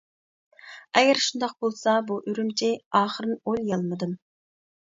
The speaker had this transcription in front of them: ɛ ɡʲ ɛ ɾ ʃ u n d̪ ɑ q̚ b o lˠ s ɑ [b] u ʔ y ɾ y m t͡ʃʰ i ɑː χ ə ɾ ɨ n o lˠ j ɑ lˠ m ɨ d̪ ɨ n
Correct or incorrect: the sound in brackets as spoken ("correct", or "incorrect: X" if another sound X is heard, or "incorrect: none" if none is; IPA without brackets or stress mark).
correct